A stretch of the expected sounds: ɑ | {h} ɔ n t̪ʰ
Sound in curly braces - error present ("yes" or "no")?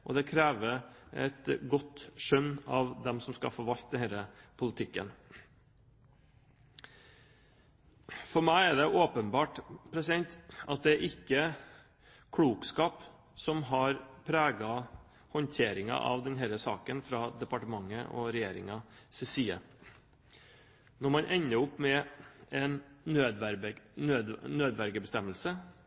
no